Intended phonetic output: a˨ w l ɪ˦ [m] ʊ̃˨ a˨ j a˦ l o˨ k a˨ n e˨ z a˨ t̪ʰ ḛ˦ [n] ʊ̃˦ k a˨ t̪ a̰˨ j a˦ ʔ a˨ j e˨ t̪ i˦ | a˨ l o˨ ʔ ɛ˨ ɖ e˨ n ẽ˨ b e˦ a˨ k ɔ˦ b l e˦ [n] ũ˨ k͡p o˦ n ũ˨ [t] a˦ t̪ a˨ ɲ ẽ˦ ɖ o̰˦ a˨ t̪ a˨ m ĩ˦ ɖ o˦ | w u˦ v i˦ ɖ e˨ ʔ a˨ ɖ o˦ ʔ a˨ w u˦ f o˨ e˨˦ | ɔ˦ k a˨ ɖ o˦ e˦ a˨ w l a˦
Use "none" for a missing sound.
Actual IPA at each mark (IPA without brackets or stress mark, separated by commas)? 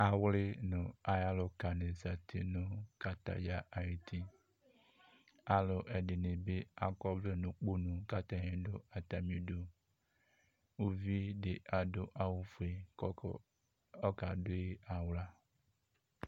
n, n, n, k